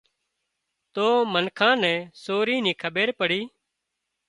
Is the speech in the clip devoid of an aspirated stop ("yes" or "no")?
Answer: no